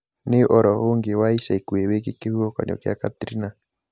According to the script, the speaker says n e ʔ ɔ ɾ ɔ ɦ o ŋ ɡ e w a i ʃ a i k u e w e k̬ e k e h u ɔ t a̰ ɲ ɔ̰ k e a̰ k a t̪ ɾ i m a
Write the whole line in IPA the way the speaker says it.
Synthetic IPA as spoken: n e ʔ ɔ ɾ ɔ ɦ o ŋ ɡ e w a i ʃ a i k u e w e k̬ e k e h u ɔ k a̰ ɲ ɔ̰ k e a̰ k a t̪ ɾ i n a